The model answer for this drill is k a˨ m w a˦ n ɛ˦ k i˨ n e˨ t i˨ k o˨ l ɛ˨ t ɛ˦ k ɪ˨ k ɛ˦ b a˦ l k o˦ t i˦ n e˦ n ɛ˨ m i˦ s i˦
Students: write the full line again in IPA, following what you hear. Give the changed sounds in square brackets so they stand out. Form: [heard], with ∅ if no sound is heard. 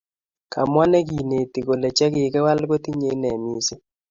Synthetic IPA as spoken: k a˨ m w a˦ n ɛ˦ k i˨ n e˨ t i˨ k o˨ l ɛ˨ [t͡ʃ] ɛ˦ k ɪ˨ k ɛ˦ [w] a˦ l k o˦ t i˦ [ɲ] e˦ n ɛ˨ m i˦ s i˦